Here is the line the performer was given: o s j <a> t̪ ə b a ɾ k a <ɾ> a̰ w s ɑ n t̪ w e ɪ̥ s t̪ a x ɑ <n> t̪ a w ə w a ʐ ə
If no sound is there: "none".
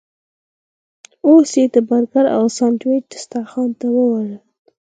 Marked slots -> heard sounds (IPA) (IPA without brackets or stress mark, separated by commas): e, ɾ, n